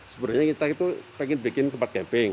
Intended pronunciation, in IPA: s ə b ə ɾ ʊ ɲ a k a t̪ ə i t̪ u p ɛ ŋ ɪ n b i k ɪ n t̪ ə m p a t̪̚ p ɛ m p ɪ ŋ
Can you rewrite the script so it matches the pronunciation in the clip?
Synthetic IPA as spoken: s ə b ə ɾ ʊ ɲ a k i t̪ a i t̪ u p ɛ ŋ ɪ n b i k ɪ n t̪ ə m p a t̪̚ k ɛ m p ɪ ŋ